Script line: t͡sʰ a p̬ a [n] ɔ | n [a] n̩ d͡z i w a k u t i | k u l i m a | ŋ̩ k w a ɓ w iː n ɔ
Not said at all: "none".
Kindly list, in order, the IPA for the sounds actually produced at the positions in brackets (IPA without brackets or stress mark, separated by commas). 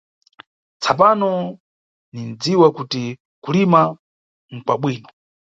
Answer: n, i